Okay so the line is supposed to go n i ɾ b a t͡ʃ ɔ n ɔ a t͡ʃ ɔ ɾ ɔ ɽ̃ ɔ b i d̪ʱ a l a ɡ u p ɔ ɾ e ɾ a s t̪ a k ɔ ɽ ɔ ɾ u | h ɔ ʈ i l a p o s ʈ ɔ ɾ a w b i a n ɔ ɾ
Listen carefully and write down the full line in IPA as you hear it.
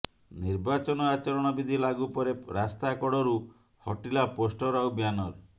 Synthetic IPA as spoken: n i ɾ b a t͡ʃ ɔ n ɔ a t͡ʃ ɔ ɾ ɔ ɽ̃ ɔ b i d̪ʱ i l a ɡ u p ɔ ɾ e ɾ a s t̪ a k ɔ ɽ ɔ ɾ u | h ɔ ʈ i l a p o s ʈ ɔ ɾ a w b j a n ɔ ɾ